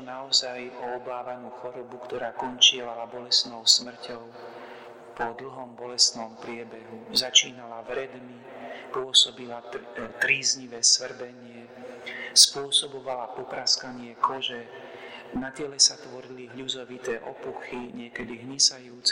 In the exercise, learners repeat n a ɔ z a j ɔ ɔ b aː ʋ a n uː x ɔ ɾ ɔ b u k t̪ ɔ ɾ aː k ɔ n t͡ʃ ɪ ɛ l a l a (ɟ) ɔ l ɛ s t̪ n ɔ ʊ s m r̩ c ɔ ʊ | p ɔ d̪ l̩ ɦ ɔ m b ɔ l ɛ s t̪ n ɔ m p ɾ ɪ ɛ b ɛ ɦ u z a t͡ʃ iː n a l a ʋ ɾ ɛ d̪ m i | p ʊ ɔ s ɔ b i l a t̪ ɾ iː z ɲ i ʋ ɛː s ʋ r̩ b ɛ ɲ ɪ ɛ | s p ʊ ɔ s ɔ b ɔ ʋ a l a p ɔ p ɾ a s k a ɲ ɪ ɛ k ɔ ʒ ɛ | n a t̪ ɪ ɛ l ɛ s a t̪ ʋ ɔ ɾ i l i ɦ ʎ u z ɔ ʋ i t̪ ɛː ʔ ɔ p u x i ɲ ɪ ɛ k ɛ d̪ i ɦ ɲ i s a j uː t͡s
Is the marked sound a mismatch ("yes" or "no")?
yes